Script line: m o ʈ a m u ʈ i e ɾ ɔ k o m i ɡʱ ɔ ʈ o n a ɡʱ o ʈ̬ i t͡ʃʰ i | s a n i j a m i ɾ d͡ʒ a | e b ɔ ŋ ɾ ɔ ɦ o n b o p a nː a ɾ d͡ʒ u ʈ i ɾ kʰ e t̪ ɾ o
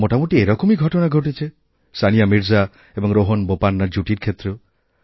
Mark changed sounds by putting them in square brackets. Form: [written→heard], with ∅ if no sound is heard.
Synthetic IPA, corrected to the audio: m o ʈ a m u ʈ i e ɾ ɔ k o m i ɡʱ ɔ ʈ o n a ɡʱ o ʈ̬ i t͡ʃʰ [i→e] | s a n i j a m i ɾ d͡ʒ a | e b ɔ ŋ ɾ [ɔ→o] ɦ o n b o p a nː a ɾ d͡ʒ u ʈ i ɾ kʰ e t̪ ɾ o